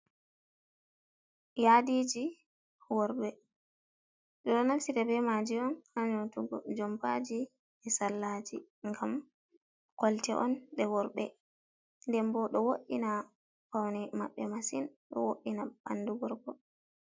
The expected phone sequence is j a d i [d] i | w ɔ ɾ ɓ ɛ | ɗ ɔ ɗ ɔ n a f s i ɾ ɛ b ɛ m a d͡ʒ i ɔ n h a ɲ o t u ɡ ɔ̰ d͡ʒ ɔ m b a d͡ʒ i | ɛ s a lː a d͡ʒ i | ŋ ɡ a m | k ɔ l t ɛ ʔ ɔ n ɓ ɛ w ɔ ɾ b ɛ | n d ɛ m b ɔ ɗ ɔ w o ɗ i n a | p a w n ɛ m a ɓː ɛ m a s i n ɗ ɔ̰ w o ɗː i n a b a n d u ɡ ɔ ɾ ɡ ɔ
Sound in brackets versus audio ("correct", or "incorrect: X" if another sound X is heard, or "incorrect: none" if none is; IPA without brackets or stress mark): incorrect: d͡ʒ